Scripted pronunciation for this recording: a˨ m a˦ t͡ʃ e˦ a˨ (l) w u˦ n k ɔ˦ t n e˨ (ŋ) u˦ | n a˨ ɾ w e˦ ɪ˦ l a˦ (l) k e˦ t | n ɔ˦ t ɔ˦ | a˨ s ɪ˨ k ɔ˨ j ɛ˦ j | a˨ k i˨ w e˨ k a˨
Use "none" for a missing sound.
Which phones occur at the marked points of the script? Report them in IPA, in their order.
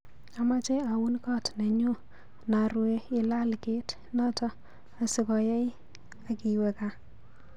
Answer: none, ɲ, l

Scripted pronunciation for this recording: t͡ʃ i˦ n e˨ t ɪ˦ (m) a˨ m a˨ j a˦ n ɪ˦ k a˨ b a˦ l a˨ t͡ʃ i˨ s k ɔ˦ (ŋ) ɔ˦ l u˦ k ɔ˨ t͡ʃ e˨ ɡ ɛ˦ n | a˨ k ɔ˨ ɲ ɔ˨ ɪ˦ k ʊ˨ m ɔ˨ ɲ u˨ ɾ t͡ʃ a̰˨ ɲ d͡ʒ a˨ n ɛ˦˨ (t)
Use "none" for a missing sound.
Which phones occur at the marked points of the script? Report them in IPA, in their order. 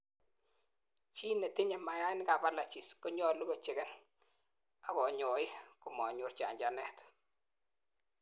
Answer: ɲ, ɲ, t

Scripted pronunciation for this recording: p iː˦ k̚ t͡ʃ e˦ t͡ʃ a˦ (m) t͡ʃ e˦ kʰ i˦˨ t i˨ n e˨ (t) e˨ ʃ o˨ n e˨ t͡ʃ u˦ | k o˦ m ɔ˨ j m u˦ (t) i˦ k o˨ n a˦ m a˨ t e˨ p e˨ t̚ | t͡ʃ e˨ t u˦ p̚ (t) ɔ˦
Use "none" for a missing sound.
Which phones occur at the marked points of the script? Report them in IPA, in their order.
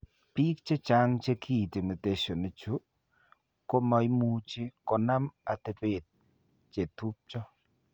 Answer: ŋ, t, t͡ʃ, t͡ʃ

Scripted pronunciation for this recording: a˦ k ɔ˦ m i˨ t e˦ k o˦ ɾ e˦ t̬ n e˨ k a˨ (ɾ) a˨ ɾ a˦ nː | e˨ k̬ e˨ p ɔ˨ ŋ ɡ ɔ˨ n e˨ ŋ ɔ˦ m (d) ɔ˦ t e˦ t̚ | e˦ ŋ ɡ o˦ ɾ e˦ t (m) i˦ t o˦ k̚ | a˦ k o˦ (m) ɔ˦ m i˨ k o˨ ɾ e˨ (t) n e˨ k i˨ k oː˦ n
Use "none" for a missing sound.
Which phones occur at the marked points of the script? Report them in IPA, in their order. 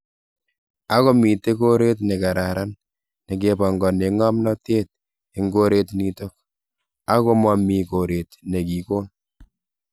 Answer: ɾ, n, n, m, t

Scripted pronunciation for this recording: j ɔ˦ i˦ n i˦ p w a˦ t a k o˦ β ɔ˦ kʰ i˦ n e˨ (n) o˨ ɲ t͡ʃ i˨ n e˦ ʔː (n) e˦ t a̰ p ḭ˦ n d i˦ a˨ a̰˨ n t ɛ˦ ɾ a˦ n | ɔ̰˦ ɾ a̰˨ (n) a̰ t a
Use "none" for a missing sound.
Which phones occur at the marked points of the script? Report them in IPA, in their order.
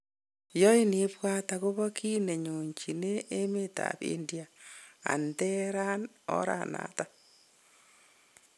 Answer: ɲ, m, n

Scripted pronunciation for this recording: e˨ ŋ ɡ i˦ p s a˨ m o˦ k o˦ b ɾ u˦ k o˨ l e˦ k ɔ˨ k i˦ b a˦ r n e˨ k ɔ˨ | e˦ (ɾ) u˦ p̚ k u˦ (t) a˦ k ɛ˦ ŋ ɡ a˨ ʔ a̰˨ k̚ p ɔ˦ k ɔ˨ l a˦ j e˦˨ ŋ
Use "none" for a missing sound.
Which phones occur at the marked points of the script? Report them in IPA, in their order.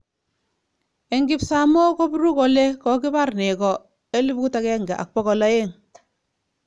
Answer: l, t

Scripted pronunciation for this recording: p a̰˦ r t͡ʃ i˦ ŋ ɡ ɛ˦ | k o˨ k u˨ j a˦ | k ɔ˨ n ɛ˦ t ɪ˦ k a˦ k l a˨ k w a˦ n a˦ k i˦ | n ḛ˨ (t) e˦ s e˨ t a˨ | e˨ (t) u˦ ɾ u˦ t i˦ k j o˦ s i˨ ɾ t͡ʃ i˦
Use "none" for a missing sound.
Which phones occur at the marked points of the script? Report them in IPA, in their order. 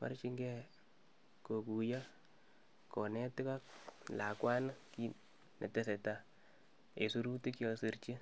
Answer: t, s

